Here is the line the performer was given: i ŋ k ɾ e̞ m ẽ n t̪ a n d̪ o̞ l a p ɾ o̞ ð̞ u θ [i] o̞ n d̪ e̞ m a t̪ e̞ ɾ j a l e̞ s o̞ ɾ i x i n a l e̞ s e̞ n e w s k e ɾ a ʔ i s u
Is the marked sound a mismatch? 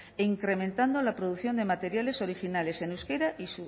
yes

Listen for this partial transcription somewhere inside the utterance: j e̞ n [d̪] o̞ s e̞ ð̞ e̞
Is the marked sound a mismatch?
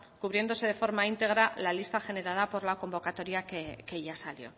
no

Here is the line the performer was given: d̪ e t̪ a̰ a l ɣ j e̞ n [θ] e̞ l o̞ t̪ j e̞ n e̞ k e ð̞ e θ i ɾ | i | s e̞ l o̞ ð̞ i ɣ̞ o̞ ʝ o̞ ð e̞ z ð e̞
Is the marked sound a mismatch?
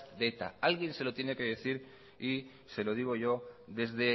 yes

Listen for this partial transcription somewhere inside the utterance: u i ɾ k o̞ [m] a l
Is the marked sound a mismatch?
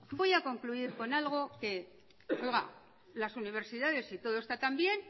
yes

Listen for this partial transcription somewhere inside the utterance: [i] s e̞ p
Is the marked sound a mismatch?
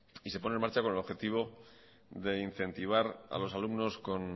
no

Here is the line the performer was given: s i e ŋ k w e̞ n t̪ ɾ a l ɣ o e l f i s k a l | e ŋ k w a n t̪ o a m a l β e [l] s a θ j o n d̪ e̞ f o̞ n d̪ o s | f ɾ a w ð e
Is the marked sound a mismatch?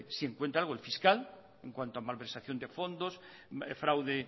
yes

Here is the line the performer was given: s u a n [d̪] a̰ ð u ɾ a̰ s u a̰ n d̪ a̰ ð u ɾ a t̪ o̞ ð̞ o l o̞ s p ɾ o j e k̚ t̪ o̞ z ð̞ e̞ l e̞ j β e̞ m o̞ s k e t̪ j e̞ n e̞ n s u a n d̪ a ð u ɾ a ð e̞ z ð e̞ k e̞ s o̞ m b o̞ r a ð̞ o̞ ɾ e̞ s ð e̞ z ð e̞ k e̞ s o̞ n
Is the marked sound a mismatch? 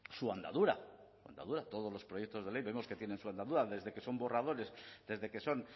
no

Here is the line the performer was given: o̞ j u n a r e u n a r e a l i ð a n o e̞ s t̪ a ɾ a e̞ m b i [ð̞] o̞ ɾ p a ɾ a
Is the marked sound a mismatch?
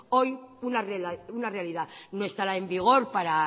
yes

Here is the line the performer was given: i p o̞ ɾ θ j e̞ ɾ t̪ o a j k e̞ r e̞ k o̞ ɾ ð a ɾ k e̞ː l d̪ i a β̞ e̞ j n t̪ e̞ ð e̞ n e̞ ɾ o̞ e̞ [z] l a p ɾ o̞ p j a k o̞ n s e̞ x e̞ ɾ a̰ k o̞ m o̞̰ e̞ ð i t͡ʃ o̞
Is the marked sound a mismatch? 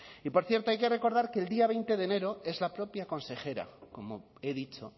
no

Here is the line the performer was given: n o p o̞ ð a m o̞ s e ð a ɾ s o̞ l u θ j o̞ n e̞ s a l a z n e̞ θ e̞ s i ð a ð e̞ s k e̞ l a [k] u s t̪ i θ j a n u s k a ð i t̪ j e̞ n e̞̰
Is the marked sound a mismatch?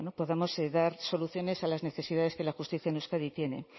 yes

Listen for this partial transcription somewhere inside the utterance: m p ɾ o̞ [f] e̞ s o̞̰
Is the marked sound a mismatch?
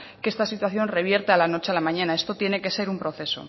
yes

